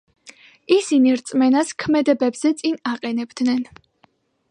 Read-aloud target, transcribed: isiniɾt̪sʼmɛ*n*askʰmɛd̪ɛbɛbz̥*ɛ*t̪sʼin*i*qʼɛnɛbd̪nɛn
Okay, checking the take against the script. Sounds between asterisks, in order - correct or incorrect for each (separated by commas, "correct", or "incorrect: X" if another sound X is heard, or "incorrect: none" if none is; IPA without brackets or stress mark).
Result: correct, correct, incorrect: a